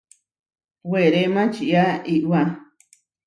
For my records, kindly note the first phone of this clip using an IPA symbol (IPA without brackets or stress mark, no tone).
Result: w